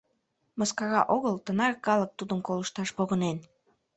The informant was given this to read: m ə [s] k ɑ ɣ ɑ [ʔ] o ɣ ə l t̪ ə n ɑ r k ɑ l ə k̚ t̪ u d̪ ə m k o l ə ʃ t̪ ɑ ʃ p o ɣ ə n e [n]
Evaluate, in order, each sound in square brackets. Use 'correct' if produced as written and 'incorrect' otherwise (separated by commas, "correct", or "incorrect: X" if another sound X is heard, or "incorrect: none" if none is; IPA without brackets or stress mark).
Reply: correct, correct, correct